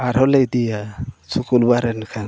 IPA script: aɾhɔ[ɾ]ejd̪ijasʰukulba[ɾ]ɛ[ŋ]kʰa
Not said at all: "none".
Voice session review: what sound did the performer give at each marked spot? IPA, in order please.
l, ɾ, n

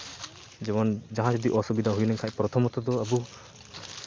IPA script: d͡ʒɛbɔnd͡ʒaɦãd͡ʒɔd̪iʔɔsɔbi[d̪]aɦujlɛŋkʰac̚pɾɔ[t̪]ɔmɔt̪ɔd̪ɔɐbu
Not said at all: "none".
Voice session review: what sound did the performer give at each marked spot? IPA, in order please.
d̪, t̪ʰ

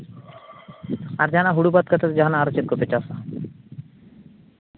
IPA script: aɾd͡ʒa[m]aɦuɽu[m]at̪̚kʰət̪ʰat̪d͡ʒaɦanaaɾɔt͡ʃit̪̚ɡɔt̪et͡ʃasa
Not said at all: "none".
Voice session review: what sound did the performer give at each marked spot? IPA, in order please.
n, b

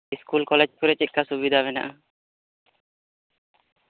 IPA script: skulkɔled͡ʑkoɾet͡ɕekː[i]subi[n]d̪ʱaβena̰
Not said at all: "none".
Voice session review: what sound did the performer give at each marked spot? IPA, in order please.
a, none

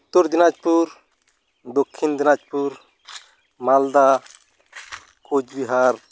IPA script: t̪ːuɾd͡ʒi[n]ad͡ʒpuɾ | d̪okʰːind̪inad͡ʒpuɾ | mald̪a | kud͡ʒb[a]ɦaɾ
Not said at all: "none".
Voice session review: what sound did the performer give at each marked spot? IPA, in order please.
n, i

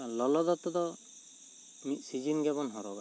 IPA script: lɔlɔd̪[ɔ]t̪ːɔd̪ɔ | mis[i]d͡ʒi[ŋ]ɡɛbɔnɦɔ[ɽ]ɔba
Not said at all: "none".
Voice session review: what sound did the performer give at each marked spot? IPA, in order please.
ɔ, i, n, ɾ

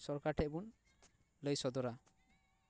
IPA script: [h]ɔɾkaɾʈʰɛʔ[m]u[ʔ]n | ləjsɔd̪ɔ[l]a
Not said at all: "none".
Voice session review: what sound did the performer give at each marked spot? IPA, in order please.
s, b, none, ɾ

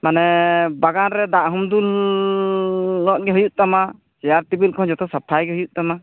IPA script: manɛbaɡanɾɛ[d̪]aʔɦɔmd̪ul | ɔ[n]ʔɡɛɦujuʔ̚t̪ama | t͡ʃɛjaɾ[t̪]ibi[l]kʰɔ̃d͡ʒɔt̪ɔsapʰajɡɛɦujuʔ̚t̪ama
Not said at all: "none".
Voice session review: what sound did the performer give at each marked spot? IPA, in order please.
d̪, none, t̪, l

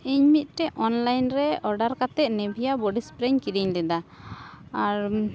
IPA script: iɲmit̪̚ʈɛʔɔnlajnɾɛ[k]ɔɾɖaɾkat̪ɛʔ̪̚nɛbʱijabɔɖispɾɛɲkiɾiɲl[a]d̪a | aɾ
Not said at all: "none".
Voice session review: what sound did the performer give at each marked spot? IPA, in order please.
none, ɛ

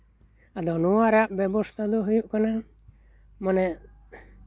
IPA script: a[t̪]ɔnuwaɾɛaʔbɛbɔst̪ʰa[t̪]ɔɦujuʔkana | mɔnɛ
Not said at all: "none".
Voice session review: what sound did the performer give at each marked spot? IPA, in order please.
d̪, d̪

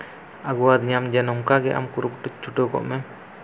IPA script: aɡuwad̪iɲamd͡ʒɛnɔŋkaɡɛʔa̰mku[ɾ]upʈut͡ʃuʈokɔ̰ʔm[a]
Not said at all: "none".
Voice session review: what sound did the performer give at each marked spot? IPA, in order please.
ɾ, ɛ

